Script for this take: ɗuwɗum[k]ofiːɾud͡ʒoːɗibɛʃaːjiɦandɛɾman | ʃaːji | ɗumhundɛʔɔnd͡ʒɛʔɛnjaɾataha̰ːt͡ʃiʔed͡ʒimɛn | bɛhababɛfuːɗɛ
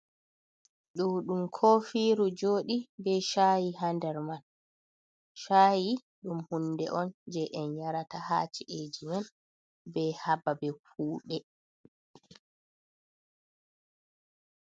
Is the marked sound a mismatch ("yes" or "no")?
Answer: yes